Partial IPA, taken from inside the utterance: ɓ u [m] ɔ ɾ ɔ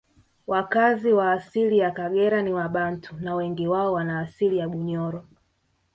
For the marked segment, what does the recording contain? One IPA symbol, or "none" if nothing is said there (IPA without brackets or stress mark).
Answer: ɲ